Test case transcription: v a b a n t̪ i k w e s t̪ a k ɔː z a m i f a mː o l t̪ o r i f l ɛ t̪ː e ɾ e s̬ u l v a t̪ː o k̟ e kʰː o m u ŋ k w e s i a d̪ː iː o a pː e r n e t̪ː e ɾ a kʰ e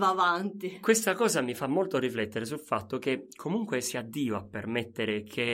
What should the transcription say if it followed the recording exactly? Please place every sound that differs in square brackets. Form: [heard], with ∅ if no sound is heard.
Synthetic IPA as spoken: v a [v] a n t̪ i k w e s t̪ a k ɔː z a m i f a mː o l t̪ o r i f l ɛ t̪ː e ɾ e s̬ u l [f] a t̪ː o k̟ e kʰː o m u ŋ k w e s i a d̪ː iː o a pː e r [m] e t̪ː e ɾ [e] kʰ e